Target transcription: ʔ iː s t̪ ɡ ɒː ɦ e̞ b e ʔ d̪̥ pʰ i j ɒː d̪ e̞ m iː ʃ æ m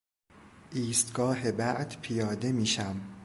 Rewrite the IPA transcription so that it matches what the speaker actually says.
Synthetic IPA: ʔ iː s t̪ ɡ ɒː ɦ e̞ b æ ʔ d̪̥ pʰ i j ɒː d̪ e̞ m iː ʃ æ m